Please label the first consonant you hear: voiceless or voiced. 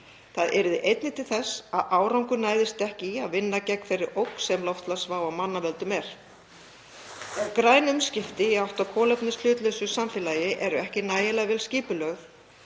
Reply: voiceless